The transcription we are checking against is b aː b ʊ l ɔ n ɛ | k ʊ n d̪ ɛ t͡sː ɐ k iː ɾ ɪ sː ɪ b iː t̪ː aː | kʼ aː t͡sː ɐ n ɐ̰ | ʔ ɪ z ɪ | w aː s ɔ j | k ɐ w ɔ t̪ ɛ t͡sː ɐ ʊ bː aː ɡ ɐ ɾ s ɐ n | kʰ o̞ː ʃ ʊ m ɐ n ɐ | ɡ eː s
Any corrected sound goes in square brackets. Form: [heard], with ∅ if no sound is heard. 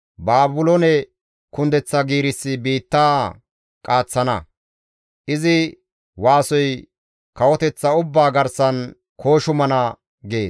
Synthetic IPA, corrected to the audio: b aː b ʊ l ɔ n ɛ | k ʊ n d̪ ɛ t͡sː ɐ [ɡ] iː ɾ ɪ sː ɪ b iː t̪ː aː | kʼ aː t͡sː ɐ n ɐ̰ | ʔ ɪ z ɪ | w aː s ɔ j | k ɐ w ɔ t̪ ɛ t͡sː ɐ ʊ bː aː ɡ ɐ ɾ s ɐ n | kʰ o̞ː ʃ ʊ m ɐ n ɐ | ɡ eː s